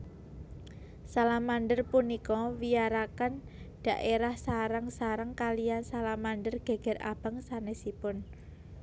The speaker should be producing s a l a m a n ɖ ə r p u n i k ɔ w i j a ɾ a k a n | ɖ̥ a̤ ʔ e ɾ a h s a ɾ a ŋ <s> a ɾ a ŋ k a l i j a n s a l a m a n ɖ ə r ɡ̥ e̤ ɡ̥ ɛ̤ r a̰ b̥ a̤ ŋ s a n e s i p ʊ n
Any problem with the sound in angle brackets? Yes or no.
no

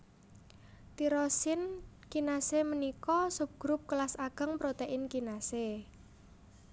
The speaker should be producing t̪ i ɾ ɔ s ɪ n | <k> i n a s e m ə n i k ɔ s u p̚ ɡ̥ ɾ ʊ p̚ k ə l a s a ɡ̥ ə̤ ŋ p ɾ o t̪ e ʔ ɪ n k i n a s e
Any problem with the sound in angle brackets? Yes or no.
no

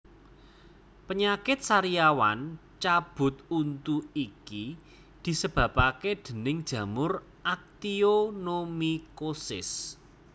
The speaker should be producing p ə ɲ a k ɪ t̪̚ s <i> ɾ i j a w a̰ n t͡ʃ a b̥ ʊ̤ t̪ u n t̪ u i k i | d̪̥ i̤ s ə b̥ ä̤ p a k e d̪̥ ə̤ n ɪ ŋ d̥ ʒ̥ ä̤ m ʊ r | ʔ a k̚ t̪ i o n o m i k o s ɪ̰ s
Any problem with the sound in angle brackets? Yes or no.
yes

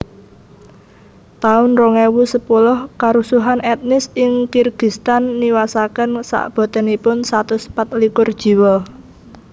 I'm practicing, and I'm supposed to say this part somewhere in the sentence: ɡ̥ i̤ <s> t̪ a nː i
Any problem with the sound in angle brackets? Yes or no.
no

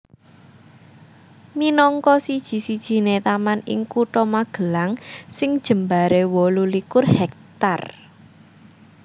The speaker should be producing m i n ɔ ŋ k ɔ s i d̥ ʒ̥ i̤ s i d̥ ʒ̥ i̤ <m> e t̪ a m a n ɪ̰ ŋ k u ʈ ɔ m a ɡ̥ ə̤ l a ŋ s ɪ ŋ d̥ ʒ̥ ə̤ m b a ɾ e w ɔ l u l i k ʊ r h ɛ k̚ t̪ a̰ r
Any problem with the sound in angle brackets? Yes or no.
yes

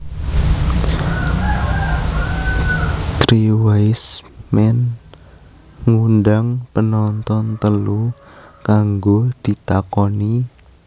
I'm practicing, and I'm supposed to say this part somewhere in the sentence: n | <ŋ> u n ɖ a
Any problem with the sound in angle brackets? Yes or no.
no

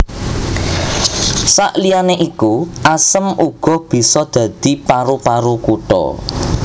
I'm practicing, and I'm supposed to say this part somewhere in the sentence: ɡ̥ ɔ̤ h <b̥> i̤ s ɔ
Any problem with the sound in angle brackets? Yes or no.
no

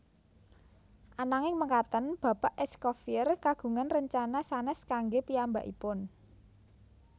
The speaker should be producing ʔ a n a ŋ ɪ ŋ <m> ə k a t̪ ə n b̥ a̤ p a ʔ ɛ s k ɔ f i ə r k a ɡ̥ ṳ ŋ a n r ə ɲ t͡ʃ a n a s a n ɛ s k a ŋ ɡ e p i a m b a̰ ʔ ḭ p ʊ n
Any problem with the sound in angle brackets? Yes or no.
no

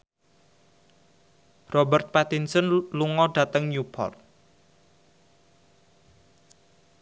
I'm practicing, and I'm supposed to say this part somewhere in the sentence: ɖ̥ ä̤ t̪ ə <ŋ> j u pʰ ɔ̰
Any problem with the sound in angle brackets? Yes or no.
no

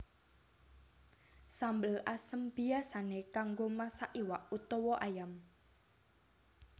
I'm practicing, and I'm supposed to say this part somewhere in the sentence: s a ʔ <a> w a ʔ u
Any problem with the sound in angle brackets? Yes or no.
yes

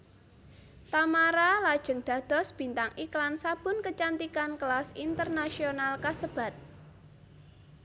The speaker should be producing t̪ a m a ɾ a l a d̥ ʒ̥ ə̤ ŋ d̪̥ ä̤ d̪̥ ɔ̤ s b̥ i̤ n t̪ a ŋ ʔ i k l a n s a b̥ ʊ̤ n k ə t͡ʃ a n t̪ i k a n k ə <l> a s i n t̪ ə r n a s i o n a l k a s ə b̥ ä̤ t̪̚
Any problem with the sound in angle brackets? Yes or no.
no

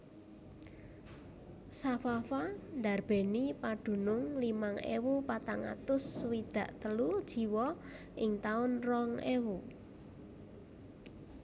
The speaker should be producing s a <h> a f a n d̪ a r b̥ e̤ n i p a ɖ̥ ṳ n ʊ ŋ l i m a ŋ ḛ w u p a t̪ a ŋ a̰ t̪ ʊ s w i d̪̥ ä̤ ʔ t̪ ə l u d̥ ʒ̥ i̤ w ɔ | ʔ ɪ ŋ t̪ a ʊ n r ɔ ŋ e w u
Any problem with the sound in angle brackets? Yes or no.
yes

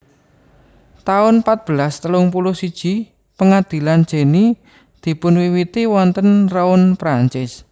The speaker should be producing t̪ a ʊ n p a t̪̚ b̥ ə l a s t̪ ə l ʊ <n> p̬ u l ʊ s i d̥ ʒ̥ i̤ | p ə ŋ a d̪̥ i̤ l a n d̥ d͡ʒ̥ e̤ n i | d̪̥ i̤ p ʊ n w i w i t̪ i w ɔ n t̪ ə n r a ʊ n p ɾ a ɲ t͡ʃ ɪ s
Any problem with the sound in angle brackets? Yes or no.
yes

